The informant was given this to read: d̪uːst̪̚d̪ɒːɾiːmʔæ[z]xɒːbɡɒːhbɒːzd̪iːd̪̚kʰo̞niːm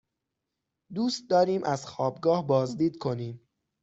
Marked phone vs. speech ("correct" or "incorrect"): correct